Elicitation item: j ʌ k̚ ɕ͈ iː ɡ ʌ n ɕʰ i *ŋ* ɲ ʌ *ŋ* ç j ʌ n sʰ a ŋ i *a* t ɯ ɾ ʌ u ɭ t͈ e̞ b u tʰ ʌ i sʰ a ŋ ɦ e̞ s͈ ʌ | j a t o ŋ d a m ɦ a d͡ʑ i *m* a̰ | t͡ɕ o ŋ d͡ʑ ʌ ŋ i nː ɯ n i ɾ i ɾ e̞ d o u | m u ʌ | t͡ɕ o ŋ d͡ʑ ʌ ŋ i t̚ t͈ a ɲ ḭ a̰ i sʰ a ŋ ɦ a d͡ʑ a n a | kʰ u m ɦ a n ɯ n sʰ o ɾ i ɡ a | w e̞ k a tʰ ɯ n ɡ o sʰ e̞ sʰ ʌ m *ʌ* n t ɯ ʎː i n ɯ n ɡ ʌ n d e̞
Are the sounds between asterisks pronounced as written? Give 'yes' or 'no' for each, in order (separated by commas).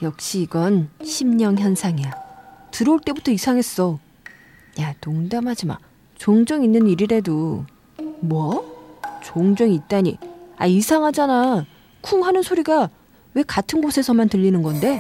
no, yes, yes, yes, no